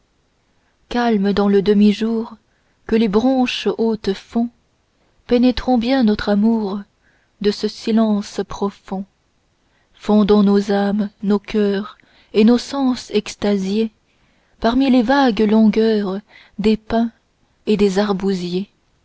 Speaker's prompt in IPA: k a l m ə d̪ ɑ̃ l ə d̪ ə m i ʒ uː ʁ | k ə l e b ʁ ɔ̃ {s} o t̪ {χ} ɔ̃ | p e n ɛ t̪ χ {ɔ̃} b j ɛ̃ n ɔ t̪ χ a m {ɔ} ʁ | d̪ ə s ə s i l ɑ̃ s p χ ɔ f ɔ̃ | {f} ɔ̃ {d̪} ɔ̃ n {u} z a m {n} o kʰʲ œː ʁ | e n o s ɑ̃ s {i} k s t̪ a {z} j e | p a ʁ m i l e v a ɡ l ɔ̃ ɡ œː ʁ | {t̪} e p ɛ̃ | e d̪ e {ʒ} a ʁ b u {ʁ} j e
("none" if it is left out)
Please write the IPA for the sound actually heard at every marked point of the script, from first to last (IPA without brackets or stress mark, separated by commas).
ʃ, f, ɔ̃, u, f, d̪, o, n, ɛ, z, d̪, z, z